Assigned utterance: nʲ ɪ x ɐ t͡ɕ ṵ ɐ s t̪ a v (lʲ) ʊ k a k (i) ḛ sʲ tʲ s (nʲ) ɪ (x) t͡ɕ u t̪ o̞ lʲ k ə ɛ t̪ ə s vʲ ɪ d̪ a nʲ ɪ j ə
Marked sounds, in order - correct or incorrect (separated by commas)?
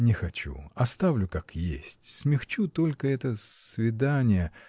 correct, incorrect, incorrect, correct